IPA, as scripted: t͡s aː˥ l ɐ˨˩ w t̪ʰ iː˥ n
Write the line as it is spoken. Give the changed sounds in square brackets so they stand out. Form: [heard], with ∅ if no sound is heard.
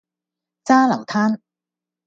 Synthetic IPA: t͡s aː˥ l ɐ˨˩ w t̪ʰ [aː˥] n